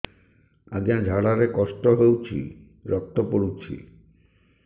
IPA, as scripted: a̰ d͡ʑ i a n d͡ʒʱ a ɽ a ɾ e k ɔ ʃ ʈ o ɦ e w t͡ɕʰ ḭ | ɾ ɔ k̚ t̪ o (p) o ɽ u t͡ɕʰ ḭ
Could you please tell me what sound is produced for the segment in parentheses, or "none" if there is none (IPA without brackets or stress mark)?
p